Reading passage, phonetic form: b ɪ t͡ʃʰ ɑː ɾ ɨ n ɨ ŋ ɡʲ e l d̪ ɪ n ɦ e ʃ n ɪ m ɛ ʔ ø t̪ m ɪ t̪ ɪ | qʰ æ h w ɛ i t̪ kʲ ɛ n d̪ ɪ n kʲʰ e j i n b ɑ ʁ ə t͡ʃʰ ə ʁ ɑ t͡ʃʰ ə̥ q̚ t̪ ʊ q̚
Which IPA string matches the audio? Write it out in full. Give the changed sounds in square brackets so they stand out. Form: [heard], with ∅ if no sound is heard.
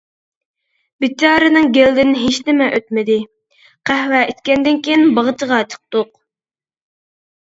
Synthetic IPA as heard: b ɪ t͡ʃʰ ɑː ɾ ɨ n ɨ ŋ ɡʲ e l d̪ ɪ n ɦ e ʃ n ɪ m ɛ ʔ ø t̪ m ɪ [d̪] ɪ | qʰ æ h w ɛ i t̪ kʲ ɛ n d̪ ɪ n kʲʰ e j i n b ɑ ʁ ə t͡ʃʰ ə ʁ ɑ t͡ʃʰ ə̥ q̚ t̪ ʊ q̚